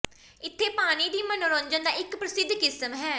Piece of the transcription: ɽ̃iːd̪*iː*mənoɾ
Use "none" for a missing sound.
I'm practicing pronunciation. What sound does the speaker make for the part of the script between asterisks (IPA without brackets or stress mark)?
iː